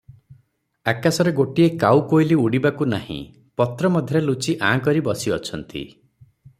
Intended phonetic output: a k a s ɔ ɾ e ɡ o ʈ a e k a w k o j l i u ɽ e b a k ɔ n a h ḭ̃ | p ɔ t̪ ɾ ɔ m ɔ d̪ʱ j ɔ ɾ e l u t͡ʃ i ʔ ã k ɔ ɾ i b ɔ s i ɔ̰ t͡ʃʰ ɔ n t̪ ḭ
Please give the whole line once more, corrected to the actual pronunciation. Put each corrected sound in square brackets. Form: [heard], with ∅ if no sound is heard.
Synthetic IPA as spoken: a k a s ɔ ɾ e ɡ o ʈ [i] e k a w k o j l i u ɽ [i] b a k [u] n a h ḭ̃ | p ɔ t̪ ɾ ɔ m ɔ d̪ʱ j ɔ ɾ e l u t͡ʃ i ʔ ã k ɔ ɾ i b ɔ s i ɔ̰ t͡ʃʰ ɔ n t̪ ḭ

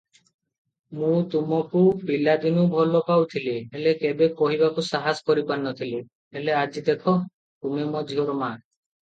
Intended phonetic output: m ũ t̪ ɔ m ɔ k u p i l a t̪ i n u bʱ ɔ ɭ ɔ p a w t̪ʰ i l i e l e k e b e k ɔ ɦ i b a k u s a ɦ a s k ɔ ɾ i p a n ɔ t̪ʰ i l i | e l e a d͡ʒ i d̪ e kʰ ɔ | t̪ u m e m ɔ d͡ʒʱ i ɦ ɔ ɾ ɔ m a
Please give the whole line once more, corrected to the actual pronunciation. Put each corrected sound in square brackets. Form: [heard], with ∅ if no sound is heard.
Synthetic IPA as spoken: m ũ t̪ [u] m ɔ k u p i l a [d̪] i n u bʱ ɔ [l] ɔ p a w t̪ʰ i l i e l e k e b e k ɔ ɦ i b a k u s a ɦ a s k ɔ ɾ i p a n ɔ t̪ʰ i l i | e l e a d͡ʒ i d̪ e kʰ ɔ | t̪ u m e m ɔ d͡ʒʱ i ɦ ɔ ɾ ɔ m a

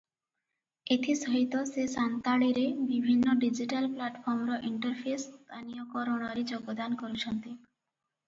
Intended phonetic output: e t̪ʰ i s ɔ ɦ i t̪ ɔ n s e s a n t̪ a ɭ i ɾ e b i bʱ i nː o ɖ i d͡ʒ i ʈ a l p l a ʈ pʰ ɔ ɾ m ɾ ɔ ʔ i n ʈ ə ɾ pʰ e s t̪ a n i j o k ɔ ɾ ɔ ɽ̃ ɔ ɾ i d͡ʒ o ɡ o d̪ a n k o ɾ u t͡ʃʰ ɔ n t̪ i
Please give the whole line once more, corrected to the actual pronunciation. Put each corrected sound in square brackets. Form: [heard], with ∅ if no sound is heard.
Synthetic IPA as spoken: e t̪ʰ i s ɔ ɦ i t̪ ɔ [∅] s e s a n t̪ a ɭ i ɾ e b i bʱ i nː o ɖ i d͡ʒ i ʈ a l p l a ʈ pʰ ɔ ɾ m ɾ ɔ ʔ i [ɳ] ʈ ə ɾ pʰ e s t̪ a n i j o k ɔ ɾ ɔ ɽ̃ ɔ ɾ i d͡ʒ o ɡ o d̪ a n k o ɾ u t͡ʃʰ ɔ n t̪ i

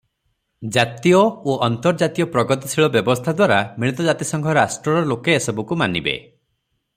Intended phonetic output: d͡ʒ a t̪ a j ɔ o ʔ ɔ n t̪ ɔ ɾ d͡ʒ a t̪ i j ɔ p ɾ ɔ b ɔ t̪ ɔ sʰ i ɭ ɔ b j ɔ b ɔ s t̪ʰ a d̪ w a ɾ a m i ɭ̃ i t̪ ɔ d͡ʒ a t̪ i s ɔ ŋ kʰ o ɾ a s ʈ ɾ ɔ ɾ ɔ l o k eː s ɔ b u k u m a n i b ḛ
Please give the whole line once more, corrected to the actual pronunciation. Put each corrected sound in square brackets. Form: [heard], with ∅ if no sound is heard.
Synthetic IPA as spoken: d͡ʒ a t̪ [i] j ɔ o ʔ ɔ n t̪ ɔ ɾ d͡ʒ a t̪ i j ɔ p ɾ ɔ [ɡ] ɔ t̪ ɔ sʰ i ɭ ɔ b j ɔ b ɔ s t̪ʰ a d̪ w a ɾ a m i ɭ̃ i t̪ ɔ d͡ʒ a t̪ i s ɔ ŋ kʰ [ɔ] ɾ a s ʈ ɾ ɔ ɾ ɔ l o k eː s ɔ b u k u m a n i b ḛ

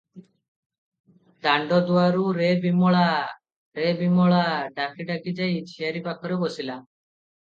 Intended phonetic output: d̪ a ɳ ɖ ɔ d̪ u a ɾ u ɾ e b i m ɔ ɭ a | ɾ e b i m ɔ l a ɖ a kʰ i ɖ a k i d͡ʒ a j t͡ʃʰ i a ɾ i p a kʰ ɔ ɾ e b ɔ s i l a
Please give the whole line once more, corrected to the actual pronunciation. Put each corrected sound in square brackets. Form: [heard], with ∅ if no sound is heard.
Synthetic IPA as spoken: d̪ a ɳ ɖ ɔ d̪ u a ɾ u ɾ e b i m ɔ ɭ a | ɾ e b i m ɔ [ɭ] a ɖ a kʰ i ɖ a k i d͡ʒ a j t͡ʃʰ i a ɾ i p a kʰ ɔ ɾ e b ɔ s i l a

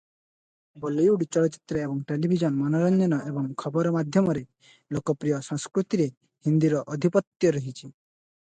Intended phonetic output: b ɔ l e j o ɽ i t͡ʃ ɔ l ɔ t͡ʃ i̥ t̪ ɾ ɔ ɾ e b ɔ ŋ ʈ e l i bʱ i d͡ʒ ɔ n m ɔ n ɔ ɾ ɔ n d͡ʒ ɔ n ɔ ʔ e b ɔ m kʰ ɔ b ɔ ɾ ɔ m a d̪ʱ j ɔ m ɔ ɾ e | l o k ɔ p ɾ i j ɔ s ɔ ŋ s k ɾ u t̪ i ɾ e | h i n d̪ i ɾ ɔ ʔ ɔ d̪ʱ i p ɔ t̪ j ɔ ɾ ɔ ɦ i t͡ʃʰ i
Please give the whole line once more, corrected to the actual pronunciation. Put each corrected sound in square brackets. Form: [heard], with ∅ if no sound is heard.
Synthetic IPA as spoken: b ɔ l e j [u] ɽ i t͡ʃ ɔ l ɔ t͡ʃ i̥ t̪ ɾ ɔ [∅] e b ɔ ŋ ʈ e l i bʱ i d͡ʒ ɔ n m ɔ n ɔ ɾ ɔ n d͡ʒ ɔ n ɔ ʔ e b ɔ [ŋ] kʰ ɔ b ɔ ɾ ɔ m a d̪ʱ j ɔ m ɔ ɾ e | l o k ɔ p ɾ i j ɔ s ɔ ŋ s k ɾ u t̪ i ɾ e | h i n d̪ i ɾ ɔ ʔ ɔ d̪ʱ i p ɔ t̪ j ɔ ɾ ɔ ɦ i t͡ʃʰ i

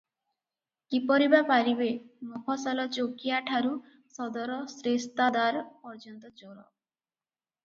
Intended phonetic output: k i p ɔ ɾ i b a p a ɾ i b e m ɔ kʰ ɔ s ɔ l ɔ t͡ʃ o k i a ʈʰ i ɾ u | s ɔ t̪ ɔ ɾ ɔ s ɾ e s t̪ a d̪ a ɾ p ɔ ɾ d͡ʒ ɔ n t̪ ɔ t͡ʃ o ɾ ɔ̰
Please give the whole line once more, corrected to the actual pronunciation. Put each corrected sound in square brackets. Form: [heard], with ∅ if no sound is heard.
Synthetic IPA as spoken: k i p ɔ ɾ i b a p a ɾ i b e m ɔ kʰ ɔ s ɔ l ɔ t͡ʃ o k i a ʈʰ [a] ɾ u | s ɔ [d̪] ɔ ɾ ɔ s ɾ e s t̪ a d̪ a ɾ p ɔ ɾ d͡ʒ ɔ n t̪ ɔ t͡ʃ o ɾ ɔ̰

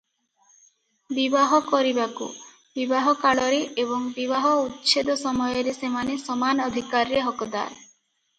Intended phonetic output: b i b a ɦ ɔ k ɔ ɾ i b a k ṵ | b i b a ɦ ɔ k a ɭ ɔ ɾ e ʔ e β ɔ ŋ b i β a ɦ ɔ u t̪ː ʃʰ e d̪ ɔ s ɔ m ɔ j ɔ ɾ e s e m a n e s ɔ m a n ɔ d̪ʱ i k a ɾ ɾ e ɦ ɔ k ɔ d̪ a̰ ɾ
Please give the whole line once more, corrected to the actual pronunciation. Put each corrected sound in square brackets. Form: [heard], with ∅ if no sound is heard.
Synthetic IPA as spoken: b i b a ɦ ɔ k ɔ ɾ i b a k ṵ | b i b a ɦ ɔ k a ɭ ɔ ɾ e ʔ e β ɔ ŋ b i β a ɦ ɔ u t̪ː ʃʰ e d̪ ɔ s ɔ m ɔ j ɔ ɾ e s e m a n e s ɔ m a n ɔ d̪ʱ i k a ɾ ɾ e ɦ ɔ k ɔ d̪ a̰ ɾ

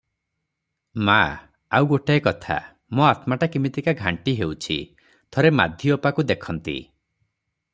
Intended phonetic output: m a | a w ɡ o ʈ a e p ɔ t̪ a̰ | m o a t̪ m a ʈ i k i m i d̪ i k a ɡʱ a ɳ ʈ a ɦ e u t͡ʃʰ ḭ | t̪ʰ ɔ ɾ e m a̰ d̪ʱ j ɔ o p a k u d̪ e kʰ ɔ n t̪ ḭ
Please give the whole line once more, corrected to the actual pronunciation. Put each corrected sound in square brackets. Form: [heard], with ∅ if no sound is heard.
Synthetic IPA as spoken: m a | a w ɡ o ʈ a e [k] ɔ [t̪ʰ] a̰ | m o a t̪ m a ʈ [a] k i m i [t̪] i k a ɡʱ a ɳ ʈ [i] ɦ e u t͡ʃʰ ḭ | t̪ʰ ɔ ɾ e m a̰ d̪ʱ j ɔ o p a k u d̪ e kʰ ɔ n t̪ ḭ

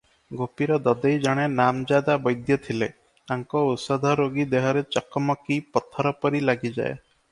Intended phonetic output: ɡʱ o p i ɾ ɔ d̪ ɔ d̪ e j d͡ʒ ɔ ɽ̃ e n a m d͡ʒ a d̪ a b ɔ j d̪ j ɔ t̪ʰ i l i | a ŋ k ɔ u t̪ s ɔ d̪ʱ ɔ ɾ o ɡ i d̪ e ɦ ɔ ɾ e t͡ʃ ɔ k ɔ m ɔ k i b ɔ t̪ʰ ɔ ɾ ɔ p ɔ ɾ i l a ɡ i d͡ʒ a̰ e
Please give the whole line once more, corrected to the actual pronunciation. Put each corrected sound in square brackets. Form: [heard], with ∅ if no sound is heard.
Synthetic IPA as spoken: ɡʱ o p i ɾ ɔ d̪ ɔ d̪ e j d͡ʒ ɔ ɽ̃ e n a m d͡ʒ a d̪ a b ɔ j d̪ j ɔ t̪ʰ i l [e] | a ŋ k ɔ u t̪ s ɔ d̪ʱ ɔ ɾ o ɡ i d̪ e ɦ ɔ ɾ e t͡ʃ ɔ k ɔ m ɔ k i [p] ɔ t̪ʰ ɔ ɾ ɔ p ɔ ɾ i l a ɡ i d͡ʒ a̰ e

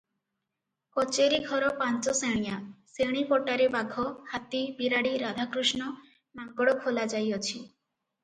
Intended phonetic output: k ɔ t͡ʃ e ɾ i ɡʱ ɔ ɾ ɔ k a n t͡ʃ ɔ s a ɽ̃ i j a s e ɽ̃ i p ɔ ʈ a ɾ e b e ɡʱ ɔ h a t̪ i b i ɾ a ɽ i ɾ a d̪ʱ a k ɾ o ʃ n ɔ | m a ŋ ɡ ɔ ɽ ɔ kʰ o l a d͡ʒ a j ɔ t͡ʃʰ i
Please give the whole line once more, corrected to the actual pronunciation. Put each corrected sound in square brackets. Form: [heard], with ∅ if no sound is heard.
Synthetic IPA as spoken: k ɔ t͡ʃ e ɾ i ɡʱ ɔ ɾ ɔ [p] a n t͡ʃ ɔ s [e] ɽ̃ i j a s e ɽ̃ i p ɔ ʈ a ɾ e b [a] ɡʱ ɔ h a t̪ i b i ɾ a ɽ i ɾ a d̪ʱ a k ɾ [u] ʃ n ɔ | m a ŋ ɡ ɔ ɽ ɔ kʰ o l a d͡ʒ a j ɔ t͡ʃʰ i

